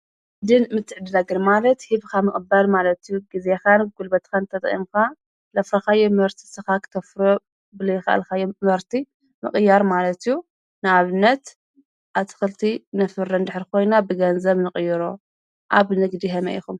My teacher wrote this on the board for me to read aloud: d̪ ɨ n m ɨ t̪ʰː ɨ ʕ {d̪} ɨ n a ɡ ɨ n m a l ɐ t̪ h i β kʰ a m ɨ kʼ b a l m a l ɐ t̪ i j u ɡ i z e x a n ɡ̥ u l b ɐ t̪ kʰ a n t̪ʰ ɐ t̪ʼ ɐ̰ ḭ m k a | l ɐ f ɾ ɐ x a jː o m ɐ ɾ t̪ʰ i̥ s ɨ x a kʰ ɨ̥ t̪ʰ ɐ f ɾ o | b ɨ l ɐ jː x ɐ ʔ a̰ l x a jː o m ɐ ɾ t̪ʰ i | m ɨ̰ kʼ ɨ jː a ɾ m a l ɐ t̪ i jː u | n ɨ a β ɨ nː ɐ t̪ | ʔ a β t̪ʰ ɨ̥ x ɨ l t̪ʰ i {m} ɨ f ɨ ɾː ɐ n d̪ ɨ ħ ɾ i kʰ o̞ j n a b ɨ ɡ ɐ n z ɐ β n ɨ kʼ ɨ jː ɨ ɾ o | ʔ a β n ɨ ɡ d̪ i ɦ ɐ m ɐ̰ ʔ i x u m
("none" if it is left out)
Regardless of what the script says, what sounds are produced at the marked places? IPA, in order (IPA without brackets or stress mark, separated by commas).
d̪, n